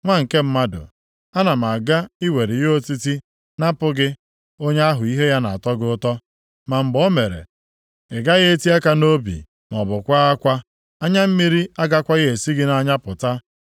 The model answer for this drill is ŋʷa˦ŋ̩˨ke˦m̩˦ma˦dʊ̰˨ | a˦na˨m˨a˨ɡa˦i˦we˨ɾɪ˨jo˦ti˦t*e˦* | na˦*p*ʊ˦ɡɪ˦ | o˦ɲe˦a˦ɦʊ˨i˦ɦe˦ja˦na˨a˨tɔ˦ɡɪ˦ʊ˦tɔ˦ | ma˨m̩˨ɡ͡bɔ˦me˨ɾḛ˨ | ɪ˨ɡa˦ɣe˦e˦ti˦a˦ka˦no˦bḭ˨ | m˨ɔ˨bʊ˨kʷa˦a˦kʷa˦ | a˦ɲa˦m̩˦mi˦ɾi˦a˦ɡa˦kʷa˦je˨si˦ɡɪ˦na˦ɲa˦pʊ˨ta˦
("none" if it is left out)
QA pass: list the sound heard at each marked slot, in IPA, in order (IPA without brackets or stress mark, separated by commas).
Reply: i˦, p